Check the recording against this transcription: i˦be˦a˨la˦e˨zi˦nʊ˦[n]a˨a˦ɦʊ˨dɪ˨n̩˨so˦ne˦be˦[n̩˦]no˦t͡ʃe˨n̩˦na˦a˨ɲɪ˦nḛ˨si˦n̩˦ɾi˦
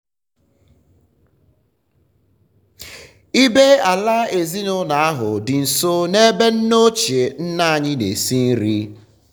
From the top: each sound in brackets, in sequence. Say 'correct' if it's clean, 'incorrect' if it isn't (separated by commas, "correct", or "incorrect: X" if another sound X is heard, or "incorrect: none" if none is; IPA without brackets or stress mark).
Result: correct, correct